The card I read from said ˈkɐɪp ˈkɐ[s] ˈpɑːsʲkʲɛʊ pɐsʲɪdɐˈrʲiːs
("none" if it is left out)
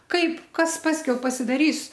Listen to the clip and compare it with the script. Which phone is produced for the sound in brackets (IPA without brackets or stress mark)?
s